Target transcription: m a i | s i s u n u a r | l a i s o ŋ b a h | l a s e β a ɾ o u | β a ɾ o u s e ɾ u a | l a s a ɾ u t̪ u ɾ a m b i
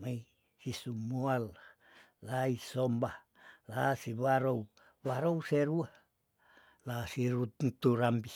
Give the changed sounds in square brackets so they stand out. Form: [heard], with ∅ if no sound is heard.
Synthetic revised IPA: m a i | s i s u [m] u a [l] | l a i s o [m] b a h | l a s [i] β a ɾ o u | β a ɾ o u s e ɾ u a | l a s [i] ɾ u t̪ u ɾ a m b i